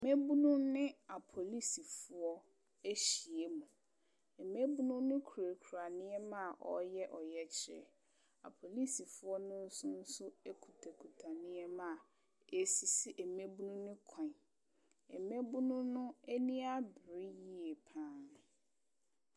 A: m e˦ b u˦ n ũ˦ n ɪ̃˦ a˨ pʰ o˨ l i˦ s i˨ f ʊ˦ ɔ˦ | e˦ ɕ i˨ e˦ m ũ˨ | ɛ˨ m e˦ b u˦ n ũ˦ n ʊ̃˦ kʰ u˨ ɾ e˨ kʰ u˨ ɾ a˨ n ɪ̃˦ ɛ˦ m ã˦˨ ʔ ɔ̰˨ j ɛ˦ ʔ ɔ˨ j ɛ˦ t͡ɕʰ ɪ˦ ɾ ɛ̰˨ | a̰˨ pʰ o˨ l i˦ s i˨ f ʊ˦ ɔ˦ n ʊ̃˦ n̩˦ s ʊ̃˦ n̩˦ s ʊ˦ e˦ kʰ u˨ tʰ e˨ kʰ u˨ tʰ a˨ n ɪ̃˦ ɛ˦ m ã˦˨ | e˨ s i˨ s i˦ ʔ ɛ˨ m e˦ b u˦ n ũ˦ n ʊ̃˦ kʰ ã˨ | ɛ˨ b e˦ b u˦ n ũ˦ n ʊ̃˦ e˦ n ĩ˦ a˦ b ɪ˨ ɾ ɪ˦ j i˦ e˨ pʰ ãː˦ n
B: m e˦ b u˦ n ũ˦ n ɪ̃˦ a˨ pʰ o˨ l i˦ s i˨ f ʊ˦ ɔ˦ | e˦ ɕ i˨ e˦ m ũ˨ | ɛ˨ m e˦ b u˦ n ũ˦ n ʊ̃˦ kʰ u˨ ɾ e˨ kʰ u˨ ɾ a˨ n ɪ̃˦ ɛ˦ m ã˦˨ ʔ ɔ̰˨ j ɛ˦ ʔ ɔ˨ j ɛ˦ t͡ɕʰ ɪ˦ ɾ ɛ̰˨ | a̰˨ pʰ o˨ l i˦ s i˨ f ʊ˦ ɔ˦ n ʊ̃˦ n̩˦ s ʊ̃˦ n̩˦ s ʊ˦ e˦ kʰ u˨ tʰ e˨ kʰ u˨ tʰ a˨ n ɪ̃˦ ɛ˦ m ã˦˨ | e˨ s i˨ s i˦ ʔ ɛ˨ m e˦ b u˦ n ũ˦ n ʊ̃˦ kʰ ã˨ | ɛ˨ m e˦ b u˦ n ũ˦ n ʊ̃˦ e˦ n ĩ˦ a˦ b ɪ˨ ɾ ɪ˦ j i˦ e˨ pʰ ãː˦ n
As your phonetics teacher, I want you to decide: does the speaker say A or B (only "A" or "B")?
B